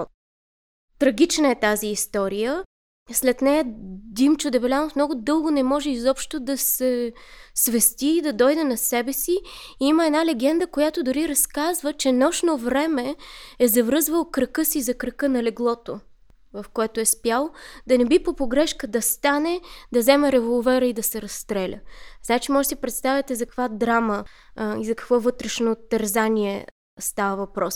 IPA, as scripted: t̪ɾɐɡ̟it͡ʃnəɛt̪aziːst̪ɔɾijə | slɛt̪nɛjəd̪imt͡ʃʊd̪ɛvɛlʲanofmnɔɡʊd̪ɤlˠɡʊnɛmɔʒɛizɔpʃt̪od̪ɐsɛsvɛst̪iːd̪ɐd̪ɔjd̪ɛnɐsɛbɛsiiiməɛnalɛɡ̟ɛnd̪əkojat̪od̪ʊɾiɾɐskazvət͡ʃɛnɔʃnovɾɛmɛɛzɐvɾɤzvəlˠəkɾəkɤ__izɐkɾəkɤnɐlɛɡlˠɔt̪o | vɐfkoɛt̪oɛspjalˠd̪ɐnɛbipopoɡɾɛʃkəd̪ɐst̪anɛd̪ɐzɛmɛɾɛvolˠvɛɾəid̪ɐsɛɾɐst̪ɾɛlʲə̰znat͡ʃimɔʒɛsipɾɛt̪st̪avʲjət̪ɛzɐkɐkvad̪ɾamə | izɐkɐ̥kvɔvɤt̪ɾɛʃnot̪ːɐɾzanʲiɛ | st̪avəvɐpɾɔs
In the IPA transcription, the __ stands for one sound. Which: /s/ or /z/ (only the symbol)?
s